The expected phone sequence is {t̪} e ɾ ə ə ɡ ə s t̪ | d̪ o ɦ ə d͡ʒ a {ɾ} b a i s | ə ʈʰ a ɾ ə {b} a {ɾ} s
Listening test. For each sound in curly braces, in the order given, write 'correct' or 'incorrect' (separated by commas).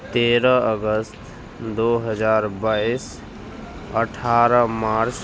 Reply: correct, correct, incorrect, correct